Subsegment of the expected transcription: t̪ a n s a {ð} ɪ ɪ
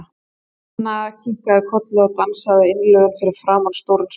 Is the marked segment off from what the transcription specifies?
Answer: no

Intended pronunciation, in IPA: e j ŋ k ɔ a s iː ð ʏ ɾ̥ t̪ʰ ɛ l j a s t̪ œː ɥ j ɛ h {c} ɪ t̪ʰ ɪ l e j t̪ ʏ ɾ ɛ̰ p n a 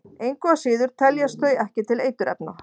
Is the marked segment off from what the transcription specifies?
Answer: no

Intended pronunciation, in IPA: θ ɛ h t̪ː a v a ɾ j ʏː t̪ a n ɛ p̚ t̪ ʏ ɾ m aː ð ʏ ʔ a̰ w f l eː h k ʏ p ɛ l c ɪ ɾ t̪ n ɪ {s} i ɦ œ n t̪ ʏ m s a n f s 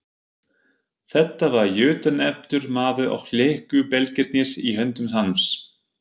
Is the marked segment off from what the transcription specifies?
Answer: no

